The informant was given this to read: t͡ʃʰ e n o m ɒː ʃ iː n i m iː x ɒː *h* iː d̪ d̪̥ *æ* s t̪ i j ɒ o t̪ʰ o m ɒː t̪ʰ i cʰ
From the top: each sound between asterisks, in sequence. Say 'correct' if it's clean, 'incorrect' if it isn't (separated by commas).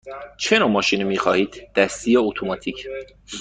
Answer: correct, correct